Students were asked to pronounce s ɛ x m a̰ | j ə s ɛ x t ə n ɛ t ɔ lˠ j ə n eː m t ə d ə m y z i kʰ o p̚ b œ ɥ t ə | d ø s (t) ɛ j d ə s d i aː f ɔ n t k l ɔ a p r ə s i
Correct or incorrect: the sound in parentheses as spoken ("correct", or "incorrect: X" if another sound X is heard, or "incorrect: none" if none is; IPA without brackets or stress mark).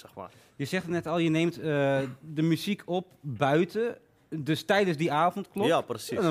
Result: correct